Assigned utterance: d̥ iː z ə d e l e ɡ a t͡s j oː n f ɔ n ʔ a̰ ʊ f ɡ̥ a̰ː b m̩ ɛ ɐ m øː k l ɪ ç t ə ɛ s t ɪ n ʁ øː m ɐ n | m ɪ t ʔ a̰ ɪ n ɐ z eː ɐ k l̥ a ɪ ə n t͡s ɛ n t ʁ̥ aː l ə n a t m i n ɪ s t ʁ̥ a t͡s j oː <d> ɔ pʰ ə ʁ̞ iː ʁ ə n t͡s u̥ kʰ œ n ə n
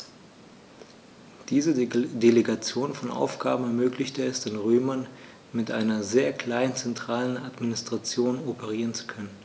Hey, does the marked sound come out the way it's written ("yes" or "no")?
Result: no